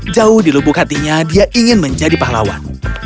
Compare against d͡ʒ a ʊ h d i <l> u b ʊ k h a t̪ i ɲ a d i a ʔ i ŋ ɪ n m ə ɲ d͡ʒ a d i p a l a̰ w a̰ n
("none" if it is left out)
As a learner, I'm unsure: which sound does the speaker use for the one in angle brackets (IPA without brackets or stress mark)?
l